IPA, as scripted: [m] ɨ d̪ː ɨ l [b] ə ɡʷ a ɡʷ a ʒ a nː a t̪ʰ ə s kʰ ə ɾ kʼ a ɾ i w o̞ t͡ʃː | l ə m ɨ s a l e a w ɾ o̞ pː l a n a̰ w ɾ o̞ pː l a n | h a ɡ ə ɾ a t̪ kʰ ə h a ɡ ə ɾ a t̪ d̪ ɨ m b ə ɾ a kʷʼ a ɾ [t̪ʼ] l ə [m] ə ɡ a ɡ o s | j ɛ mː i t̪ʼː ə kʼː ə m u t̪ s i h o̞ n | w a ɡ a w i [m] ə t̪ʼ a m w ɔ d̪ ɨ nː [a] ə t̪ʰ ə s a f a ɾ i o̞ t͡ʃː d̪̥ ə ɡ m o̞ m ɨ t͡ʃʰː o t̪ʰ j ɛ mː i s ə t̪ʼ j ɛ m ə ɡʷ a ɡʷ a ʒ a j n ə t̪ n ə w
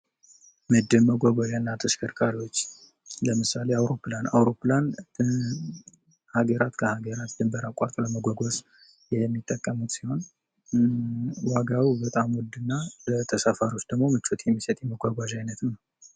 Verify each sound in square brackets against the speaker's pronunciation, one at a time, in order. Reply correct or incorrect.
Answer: correct, incorrect, correct, correct, incorrect, correct

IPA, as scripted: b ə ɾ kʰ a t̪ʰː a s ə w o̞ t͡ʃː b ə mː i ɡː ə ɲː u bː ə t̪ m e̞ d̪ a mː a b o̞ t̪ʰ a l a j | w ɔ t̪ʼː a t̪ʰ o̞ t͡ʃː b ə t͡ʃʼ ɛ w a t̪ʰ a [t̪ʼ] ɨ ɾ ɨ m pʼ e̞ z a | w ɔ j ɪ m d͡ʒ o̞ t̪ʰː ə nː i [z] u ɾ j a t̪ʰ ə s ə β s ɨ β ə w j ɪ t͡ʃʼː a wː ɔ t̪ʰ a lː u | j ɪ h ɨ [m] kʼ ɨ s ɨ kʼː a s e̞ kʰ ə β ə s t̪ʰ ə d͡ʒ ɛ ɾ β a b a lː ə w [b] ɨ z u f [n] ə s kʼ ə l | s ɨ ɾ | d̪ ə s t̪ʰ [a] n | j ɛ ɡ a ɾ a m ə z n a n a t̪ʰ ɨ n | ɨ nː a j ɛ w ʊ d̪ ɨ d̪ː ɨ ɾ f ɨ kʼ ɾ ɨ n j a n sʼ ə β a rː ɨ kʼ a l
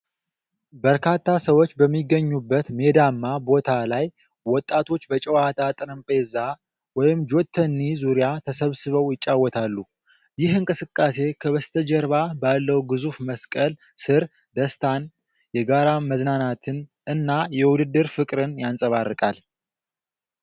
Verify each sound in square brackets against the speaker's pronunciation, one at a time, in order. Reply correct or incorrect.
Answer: correct, correct, incorrect, incorrect, incorrect, correct

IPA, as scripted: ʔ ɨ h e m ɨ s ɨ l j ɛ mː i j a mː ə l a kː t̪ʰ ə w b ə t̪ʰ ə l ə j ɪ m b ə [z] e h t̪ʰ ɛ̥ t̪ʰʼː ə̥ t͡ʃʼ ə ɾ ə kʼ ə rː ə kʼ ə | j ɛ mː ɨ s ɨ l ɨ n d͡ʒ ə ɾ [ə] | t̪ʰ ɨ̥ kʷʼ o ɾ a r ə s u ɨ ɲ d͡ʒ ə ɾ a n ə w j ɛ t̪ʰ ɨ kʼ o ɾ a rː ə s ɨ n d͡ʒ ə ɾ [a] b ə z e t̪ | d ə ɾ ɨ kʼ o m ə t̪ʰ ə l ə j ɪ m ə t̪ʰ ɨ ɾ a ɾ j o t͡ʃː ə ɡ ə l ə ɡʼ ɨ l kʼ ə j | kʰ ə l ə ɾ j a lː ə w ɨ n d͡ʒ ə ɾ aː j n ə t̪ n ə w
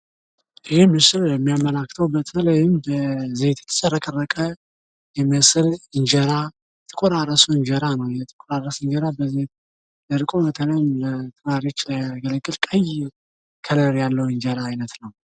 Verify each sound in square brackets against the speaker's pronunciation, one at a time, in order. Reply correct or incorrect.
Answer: correct, incorrect, correct

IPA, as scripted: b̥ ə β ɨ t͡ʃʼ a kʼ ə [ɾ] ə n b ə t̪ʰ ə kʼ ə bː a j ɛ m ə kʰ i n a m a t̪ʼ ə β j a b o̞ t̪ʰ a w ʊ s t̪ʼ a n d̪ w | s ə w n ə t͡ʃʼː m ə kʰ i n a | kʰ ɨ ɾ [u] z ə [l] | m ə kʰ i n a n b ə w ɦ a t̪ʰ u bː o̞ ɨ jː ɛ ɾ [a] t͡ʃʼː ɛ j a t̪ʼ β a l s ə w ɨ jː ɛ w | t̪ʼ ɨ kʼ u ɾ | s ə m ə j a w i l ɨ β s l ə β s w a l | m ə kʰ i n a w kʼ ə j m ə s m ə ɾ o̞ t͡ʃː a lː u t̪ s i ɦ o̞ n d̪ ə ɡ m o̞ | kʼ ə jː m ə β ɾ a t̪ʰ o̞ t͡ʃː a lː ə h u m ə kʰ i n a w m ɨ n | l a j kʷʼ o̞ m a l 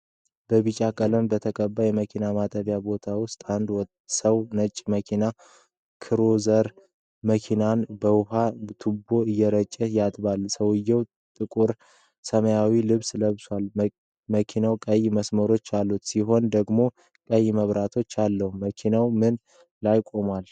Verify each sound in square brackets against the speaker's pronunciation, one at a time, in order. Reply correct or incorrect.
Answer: incorrect, incorrect, incorrect, incorrect

